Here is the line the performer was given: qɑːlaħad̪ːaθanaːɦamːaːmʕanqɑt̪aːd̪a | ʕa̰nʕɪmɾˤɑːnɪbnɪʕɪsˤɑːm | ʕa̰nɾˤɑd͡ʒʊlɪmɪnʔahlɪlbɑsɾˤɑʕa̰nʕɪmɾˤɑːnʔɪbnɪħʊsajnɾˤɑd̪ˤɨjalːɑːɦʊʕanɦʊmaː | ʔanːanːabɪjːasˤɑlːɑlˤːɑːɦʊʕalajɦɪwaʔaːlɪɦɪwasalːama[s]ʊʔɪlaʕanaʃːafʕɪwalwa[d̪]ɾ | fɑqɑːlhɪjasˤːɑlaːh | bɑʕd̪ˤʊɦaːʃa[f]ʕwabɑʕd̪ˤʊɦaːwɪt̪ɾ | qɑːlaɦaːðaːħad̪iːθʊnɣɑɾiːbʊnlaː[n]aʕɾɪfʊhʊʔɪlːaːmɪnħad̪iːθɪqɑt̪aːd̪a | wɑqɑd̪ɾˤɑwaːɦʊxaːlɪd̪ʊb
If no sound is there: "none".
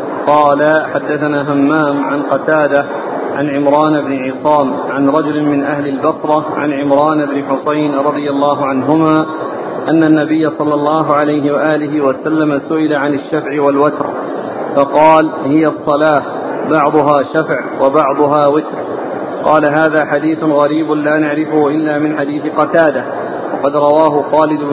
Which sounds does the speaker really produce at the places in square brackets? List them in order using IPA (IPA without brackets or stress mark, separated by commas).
s, t̪, f, n